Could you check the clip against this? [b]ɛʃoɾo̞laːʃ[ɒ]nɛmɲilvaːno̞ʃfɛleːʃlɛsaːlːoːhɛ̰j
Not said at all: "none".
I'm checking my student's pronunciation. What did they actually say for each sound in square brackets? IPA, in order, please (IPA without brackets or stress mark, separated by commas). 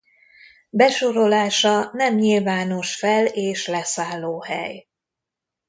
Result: b, ɒ